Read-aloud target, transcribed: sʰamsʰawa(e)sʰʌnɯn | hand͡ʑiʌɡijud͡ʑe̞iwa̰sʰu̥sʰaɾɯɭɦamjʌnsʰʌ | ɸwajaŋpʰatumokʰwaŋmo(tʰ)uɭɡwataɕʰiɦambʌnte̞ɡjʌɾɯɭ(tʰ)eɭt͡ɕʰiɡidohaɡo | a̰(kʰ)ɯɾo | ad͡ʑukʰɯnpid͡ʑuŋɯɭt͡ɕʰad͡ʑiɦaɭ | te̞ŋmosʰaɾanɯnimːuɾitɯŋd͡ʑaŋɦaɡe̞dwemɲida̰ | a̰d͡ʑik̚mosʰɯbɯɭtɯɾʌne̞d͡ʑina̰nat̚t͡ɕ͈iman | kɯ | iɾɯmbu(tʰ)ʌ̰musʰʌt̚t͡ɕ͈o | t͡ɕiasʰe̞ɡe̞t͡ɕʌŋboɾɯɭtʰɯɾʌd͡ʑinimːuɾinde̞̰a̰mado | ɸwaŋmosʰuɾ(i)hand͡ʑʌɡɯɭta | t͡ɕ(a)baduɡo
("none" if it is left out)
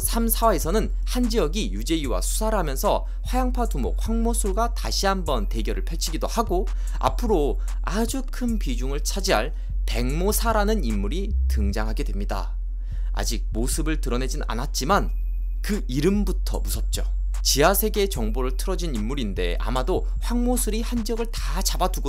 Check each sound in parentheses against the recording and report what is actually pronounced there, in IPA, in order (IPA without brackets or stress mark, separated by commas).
e, sʰ, pʰ, pʰ, tʰ, i, a